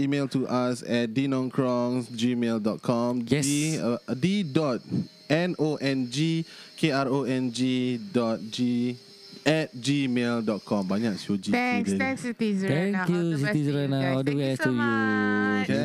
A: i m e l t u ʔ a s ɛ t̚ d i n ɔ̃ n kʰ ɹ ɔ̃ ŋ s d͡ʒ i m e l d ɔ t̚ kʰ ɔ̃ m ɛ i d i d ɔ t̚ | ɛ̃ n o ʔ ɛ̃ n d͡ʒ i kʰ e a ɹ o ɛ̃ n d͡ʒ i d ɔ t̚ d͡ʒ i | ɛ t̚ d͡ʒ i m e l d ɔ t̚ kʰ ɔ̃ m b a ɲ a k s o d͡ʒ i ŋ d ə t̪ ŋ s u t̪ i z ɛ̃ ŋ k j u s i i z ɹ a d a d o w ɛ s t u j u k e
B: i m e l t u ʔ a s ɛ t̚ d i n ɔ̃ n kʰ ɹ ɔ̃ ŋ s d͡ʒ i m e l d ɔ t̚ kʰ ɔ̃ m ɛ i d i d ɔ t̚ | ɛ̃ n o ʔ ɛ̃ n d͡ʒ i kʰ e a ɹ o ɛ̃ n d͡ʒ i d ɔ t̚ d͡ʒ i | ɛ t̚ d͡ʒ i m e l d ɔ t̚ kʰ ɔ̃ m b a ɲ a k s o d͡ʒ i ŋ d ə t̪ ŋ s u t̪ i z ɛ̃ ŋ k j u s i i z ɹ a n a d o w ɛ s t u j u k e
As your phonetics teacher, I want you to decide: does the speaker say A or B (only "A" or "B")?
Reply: B